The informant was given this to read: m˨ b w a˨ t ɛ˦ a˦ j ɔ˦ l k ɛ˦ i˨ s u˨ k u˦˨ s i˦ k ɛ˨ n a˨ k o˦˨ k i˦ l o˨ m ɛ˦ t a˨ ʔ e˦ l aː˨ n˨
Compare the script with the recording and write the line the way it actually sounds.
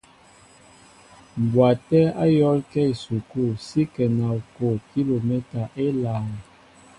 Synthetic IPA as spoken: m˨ b w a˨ t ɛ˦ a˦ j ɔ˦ l k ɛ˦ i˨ s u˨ k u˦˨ s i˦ k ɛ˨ n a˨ k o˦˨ k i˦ l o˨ m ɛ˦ t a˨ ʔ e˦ l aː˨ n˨